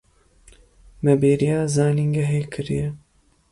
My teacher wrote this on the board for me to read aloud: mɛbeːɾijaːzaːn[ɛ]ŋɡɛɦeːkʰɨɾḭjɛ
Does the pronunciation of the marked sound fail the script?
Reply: yes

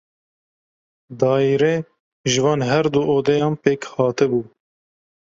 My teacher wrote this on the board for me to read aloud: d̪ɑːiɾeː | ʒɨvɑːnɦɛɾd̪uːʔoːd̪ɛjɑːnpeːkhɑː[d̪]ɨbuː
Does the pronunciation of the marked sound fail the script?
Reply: yes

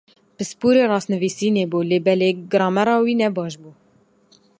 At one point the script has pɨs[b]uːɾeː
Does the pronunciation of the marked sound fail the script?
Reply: yes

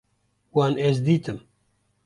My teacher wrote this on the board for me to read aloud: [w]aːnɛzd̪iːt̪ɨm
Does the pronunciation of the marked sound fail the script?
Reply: no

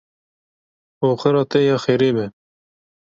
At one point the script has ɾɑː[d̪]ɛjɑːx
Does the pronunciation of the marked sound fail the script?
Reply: yes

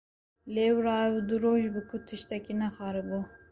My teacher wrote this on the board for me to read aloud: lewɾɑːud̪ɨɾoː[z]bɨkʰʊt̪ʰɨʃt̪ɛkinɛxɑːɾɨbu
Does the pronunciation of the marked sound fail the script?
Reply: yes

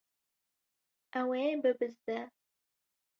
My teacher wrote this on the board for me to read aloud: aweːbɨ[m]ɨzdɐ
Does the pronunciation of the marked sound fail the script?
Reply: yes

